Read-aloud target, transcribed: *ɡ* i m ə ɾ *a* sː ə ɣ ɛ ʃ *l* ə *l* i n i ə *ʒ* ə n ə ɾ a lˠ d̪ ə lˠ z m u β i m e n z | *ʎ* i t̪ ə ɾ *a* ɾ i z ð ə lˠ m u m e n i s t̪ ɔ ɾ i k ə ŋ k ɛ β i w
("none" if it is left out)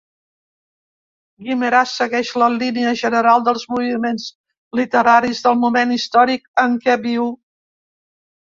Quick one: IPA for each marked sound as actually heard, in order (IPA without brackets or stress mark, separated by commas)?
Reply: ɡ, a, l, l, ʒ, l, a